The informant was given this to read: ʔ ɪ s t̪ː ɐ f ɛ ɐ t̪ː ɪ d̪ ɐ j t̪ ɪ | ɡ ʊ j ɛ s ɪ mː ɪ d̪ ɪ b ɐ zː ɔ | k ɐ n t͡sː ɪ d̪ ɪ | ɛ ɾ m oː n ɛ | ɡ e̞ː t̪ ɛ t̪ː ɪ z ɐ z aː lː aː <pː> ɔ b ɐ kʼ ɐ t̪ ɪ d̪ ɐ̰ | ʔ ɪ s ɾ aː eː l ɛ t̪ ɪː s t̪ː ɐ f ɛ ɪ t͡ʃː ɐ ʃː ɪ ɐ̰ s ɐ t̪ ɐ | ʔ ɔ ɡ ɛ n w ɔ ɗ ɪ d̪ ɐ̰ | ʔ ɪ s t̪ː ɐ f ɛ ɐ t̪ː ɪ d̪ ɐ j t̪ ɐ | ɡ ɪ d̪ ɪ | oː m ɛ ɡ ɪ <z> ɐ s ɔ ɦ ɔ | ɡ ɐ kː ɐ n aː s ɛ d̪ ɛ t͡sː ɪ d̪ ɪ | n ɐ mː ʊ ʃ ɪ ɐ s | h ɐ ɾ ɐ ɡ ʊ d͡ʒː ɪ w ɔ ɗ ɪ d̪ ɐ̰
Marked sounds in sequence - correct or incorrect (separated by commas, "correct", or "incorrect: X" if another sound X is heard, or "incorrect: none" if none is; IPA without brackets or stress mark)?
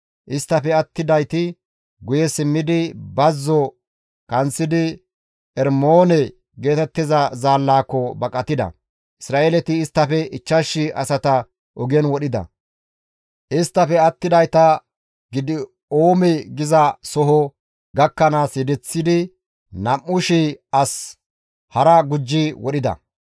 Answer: incorrect: kː, correct